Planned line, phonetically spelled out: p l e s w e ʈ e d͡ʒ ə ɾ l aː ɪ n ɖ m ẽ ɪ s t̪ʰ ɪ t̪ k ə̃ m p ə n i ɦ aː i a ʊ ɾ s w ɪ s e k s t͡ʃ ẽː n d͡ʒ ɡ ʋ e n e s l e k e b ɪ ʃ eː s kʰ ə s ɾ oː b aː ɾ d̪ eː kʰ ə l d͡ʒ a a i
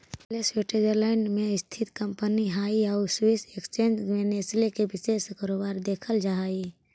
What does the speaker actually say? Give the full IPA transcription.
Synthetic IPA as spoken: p l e s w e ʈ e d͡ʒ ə ɾ l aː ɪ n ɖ m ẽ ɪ s t̪ʰ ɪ t̪ k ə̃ m p ə n i ɦ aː i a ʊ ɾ s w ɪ s e k s t͡ʃ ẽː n d͡ʒ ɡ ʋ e n e s l e k e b ɪ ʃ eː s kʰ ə ɾ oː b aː ɾ d̪ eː kʰ ə l d͡ʒ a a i